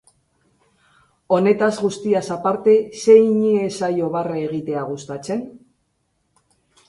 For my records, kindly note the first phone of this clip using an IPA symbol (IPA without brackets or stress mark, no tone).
o̞